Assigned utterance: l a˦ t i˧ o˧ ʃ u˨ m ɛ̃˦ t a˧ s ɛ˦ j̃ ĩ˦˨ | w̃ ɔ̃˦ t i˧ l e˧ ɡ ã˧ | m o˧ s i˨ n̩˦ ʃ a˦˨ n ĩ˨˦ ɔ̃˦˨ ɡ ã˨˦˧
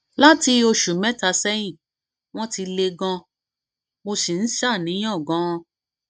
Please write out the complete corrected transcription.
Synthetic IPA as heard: l a˦ t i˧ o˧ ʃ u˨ m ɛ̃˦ t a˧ s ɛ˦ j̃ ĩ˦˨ | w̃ ɔ̃˦ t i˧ l e˧ ɡ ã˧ | m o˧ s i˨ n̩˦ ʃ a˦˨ n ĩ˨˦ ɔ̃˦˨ ɡ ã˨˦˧